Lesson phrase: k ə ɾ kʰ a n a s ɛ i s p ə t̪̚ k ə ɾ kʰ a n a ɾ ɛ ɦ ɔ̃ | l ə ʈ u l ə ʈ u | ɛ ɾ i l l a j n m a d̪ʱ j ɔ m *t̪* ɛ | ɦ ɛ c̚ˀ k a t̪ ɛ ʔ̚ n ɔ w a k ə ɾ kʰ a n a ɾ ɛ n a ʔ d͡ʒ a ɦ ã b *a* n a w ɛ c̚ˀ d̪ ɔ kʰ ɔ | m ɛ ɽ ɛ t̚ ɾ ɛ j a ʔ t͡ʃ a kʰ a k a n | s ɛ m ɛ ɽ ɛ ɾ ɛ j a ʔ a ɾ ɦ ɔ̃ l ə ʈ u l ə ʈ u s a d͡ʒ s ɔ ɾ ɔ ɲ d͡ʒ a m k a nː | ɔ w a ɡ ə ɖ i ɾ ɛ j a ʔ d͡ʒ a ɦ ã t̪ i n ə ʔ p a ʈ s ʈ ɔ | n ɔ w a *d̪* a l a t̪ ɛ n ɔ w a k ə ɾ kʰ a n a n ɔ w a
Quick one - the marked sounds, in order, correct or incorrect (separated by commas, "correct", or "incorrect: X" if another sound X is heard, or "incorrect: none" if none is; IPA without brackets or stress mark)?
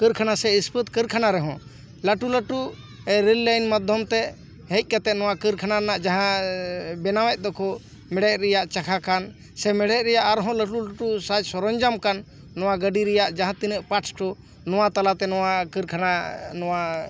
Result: correct, incorrect: ɛ, incorrect: t̪